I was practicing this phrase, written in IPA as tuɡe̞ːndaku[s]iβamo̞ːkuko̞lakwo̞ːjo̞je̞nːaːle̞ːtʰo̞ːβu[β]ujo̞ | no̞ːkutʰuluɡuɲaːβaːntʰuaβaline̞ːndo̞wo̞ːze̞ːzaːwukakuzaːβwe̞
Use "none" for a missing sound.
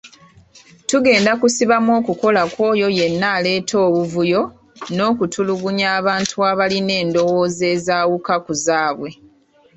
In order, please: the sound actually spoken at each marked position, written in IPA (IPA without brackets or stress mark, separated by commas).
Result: s, v